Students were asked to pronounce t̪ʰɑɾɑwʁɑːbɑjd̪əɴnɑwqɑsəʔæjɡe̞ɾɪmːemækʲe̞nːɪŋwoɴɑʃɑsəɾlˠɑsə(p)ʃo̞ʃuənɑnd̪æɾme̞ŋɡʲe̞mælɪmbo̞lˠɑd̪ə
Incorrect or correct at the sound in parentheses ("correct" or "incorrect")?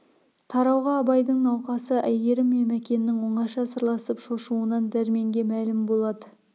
correct